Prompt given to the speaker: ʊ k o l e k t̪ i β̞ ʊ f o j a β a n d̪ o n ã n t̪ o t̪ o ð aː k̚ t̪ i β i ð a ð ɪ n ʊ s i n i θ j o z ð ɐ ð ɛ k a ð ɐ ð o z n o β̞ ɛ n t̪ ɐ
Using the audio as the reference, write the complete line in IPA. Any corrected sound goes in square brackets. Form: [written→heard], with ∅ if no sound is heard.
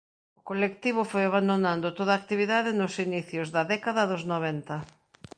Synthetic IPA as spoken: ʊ k o l e k t̪ i β̞ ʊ f o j a β a n d̪ o n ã n [t̪→d̪] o t̪ o ð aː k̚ t̪ i β i ð a ð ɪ n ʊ s i n i θ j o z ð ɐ ð ɛ k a ð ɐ ð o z n o β̞ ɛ n t̪ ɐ